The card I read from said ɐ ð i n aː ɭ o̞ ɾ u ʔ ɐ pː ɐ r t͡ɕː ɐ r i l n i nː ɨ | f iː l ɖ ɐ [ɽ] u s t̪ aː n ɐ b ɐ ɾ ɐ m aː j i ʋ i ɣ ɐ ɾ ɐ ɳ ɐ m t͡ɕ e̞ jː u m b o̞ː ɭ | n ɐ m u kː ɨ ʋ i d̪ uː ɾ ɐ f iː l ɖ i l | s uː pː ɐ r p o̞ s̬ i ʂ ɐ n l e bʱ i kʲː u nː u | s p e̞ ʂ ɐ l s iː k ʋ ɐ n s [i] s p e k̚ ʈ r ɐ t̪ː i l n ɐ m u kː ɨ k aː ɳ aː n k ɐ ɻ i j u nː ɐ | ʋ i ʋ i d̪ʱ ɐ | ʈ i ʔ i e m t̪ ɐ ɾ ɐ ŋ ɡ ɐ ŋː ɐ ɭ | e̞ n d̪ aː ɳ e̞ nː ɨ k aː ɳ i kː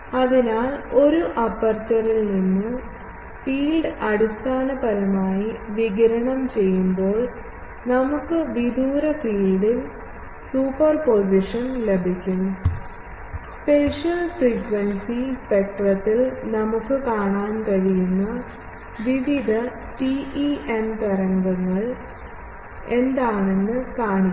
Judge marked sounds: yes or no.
yes, yes

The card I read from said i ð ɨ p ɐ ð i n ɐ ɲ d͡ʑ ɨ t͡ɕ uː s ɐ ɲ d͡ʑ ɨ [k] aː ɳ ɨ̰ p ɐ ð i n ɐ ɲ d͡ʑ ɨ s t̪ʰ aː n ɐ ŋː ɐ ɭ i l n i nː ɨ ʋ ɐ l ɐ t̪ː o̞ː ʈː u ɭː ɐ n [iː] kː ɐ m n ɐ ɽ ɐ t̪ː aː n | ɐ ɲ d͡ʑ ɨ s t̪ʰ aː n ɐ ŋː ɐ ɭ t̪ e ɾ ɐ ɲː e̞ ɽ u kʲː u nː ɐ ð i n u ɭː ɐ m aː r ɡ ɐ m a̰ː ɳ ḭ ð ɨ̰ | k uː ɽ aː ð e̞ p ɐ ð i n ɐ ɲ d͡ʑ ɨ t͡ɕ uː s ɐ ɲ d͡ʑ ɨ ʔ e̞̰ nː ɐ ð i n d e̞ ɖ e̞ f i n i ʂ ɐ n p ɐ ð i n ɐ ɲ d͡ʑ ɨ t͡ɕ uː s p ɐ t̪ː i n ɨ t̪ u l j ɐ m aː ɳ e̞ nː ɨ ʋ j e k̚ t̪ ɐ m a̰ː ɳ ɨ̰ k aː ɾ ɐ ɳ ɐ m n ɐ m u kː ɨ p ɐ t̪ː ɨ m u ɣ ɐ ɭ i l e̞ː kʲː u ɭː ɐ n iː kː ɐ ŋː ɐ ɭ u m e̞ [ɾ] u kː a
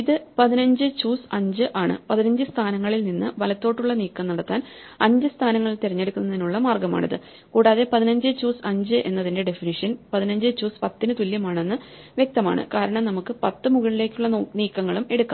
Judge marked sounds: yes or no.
no, yes, no

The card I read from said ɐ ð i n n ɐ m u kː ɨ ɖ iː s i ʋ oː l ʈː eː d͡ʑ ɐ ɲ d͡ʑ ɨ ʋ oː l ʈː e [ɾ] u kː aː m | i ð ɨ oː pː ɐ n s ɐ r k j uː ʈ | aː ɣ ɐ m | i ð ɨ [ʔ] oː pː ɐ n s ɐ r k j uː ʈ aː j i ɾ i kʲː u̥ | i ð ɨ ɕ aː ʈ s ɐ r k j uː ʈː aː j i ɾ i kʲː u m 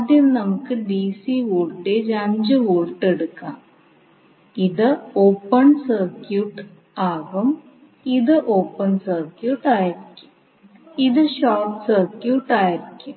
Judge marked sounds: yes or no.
no, yes

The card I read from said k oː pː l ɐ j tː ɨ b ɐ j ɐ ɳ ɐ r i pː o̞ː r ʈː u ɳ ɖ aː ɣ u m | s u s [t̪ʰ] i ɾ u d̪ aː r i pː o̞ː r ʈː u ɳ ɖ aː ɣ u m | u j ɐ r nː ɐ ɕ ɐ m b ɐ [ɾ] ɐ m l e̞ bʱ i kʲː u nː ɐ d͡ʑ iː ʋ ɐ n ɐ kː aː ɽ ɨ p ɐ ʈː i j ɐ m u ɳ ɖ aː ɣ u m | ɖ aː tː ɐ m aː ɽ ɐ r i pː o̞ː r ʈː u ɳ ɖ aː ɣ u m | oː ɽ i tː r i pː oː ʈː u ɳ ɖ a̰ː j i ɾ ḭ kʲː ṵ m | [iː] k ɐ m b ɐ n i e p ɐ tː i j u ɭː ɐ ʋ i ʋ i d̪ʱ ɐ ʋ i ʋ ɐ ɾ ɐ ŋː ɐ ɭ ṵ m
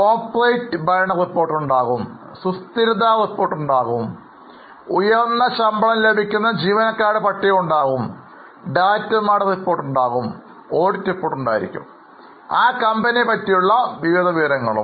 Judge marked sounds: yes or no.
no, no, no

